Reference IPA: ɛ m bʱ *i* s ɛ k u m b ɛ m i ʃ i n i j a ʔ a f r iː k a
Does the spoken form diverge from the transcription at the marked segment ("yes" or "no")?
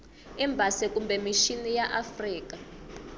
yes